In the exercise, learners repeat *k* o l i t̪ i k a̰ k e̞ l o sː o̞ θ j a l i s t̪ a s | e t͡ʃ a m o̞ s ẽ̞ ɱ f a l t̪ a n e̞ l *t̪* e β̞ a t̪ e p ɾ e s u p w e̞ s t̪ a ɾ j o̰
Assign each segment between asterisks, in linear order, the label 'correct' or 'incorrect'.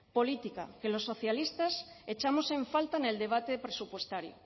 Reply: incorrect: p, incorrect: d̪

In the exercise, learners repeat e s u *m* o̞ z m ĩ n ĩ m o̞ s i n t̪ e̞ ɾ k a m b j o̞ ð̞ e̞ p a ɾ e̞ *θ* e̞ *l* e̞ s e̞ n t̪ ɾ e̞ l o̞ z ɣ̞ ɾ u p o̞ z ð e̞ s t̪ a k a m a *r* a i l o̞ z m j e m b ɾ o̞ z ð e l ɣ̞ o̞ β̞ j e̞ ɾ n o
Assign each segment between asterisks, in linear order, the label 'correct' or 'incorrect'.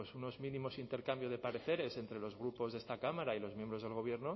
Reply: incorrect: n, correct, incorrect: ɾ, incorrect: ɾ

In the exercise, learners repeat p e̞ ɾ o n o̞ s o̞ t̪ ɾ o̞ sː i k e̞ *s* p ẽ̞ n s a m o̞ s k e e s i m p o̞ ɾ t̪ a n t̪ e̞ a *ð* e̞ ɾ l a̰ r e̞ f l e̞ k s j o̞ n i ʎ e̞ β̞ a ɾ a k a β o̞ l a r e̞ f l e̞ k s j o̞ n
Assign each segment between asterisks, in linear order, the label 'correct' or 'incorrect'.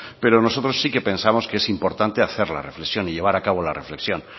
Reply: incorrect: none, incorrect: θ

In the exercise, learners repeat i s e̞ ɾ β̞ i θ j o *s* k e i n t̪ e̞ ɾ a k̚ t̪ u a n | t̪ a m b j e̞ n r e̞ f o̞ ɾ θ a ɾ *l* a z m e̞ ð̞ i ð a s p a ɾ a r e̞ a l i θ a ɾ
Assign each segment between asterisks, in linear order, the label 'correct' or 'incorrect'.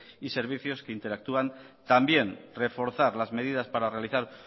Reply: correct, correct

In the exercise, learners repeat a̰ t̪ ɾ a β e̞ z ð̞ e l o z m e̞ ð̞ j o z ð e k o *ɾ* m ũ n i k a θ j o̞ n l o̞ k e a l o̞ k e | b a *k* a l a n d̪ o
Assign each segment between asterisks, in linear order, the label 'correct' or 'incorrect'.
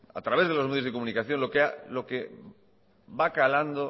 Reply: incorrect: none, correct

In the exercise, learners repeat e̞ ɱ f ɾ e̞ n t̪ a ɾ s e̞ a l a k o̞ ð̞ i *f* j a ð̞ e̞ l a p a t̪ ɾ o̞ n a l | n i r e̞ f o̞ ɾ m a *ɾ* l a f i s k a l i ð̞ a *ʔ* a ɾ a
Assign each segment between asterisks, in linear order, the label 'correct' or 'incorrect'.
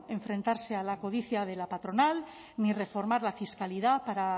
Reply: incorrect: θ, correct, incorrect: p

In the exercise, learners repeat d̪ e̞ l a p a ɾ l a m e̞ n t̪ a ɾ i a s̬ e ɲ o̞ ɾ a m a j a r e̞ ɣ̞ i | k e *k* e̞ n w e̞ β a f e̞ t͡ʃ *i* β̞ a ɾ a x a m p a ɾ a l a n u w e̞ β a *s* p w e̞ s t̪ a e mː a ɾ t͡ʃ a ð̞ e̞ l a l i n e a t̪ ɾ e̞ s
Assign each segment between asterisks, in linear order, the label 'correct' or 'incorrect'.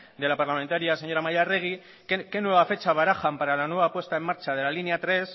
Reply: correct, incorrect: a, incorrect: none

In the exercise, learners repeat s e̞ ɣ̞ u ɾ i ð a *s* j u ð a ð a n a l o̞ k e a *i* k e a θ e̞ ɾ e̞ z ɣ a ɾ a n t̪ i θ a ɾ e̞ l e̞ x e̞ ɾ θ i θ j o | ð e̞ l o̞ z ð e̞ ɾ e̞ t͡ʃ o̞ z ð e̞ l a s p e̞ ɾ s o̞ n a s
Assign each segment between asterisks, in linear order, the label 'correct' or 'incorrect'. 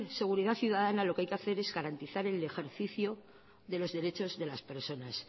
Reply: incorrect: θ, incorrect: j

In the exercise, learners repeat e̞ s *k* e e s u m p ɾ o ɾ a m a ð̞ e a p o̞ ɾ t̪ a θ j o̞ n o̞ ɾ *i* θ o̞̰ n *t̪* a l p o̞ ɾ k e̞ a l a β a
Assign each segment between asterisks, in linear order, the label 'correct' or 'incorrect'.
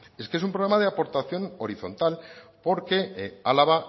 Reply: correct, correct, correct

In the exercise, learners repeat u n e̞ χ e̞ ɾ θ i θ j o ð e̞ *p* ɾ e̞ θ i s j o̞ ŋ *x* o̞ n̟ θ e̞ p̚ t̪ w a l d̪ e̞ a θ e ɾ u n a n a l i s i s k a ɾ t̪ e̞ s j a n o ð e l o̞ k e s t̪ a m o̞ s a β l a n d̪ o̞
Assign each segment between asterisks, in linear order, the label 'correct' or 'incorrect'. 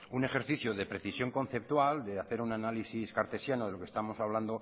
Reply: correct, incorrect: k

